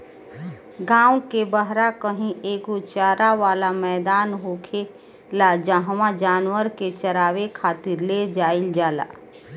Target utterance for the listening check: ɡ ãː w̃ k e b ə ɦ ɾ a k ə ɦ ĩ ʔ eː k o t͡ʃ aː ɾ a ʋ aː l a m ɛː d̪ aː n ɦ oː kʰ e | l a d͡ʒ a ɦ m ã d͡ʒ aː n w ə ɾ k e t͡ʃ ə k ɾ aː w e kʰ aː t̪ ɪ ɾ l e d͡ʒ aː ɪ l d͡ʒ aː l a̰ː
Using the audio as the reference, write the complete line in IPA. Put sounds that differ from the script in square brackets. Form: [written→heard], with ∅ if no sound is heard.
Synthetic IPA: ɡ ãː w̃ k e b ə ɦ ɾ a k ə ɦ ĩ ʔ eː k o t͡ʃ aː ɾ a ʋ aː l a m ɛː d̪ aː n ɦ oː kʰ e | l a d͡ʒ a ɦ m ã d͡ʒ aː n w ə ɾ k e t͡ʃ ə [k→∅] ɾ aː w e kʰ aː t̪ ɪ ɾ l e d͡ʒ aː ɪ l d͡ʒ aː l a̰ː